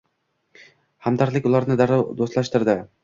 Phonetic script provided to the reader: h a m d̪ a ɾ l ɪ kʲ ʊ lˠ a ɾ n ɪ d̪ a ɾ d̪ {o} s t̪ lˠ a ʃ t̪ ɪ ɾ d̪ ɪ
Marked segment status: correct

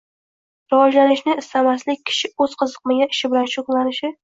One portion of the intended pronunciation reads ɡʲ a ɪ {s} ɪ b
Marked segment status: incorrect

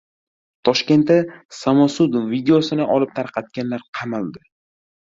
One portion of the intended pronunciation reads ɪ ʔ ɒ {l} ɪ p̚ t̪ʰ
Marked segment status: correct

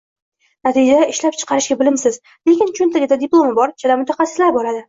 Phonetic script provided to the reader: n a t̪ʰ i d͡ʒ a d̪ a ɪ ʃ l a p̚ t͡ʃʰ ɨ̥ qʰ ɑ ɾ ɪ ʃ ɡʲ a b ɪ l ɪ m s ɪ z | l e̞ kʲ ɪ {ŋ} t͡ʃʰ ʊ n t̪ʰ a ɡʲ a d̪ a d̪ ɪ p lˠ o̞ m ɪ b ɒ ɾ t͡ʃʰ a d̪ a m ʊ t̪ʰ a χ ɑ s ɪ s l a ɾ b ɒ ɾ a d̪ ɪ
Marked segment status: incorrect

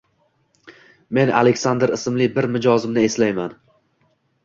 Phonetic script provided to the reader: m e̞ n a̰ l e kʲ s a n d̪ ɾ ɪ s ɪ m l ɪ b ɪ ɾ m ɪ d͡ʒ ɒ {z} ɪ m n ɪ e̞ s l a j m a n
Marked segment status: correct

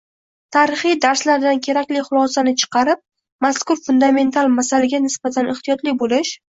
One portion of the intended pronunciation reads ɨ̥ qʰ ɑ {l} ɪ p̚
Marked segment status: incorrect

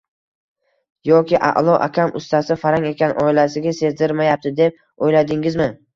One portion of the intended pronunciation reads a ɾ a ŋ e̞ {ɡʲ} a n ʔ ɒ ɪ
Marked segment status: incorrect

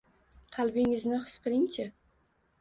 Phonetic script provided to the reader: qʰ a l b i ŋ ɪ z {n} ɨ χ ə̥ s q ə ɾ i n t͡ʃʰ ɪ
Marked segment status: correct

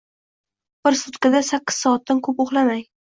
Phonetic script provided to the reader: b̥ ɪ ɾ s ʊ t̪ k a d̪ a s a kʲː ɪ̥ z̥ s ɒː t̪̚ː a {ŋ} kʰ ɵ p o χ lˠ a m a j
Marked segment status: incorrect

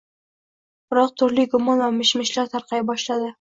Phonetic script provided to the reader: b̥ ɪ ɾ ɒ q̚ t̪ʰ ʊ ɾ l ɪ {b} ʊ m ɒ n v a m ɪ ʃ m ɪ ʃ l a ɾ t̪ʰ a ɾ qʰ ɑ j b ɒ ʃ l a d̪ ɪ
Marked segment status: incorrect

